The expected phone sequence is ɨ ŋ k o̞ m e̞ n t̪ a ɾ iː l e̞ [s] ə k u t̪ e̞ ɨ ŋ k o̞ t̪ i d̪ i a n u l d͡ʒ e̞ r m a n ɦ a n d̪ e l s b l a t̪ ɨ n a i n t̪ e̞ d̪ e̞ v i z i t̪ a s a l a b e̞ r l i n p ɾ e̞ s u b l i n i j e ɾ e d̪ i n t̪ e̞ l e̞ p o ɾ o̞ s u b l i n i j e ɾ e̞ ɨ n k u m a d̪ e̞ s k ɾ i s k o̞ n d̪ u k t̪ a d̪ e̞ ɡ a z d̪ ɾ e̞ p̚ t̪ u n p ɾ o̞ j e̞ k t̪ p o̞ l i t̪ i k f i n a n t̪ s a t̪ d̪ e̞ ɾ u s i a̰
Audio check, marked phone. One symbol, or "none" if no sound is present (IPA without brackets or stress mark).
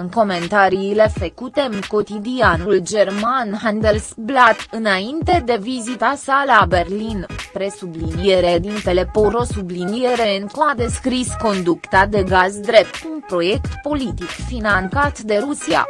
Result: f